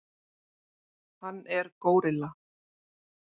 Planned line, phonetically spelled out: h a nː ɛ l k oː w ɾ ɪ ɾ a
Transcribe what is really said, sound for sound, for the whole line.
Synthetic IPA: h a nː ɛ ɾ k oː w ɾ ɪ l a